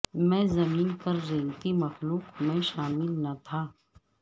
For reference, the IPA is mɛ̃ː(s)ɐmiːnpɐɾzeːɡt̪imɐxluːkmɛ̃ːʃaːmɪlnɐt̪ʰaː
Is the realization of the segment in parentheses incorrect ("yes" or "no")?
yes